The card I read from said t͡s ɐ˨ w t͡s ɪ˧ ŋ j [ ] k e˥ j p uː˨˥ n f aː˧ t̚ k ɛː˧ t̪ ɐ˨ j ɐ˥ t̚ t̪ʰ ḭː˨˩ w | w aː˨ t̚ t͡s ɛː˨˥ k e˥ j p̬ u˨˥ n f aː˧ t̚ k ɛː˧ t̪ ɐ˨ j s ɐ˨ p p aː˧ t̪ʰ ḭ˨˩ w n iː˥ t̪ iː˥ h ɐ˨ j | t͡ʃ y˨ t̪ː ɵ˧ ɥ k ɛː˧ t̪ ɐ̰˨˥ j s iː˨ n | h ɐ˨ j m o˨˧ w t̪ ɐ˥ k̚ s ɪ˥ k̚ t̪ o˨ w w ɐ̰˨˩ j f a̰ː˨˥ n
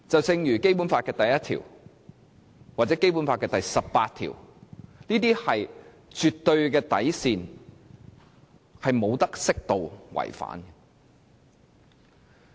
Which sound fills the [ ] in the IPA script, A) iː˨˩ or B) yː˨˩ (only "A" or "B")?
B